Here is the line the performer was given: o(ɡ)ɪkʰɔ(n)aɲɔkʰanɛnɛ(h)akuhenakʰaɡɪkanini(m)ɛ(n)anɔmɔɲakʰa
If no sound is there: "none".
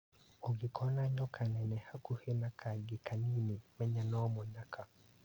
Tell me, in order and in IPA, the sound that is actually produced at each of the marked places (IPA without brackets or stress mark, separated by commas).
ɡ, n, h, m, ɲ